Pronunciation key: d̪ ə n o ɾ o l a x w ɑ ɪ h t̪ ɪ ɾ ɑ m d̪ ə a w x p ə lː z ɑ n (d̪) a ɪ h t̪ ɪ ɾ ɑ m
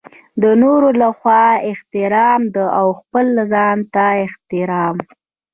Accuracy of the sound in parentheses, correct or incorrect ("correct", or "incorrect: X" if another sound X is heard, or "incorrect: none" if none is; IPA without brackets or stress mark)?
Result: incorrect: t̪